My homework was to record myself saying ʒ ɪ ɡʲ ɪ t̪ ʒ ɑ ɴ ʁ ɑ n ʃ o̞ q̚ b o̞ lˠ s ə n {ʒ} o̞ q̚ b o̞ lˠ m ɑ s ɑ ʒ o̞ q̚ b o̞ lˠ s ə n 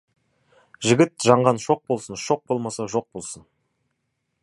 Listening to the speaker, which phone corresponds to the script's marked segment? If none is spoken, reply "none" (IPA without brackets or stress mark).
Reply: ʃ